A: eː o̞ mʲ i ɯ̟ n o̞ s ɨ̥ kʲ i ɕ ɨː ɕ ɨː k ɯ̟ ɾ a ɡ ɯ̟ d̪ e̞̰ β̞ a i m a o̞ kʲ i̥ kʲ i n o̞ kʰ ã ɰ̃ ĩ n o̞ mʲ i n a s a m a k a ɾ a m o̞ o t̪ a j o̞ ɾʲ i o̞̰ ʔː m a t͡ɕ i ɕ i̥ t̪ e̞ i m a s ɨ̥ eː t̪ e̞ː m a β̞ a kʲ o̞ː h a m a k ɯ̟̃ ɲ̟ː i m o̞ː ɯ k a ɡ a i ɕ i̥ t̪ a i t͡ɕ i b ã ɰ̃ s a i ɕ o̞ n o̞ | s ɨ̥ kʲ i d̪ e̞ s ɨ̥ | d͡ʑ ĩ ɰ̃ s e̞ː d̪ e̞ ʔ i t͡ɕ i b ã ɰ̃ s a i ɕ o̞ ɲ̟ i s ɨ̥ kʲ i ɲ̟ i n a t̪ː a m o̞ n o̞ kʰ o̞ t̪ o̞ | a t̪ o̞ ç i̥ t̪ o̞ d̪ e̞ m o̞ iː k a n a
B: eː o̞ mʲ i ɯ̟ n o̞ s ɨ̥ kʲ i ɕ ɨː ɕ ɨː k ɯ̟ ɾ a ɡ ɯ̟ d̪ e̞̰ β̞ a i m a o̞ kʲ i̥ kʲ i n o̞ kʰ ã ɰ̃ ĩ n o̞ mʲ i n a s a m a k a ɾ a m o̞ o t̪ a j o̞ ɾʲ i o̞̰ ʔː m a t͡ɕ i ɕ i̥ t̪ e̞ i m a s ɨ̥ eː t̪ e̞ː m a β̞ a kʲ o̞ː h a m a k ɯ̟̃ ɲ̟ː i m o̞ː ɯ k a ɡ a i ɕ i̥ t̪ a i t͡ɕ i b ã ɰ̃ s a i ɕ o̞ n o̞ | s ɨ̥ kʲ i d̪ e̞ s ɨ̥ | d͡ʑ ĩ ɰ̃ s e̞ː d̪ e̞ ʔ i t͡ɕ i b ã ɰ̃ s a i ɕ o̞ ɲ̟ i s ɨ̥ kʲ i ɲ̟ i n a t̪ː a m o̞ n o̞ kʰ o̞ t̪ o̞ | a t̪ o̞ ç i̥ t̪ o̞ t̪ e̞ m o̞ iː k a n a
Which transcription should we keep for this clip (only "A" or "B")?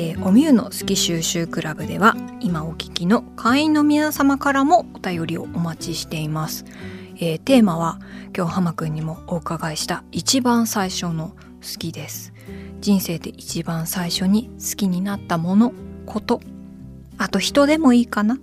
A